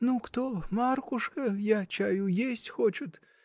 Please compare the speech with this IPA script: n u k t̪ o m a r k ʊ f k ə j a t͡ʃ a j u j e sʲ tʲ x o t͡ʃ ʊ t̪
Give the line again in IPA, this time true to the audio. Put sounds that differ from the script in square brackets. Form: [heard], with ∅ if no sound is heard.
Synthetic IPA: n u k t̪ o m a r k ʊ [ʂ] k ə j a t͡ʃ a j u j e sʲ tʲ x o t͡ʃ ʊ t̪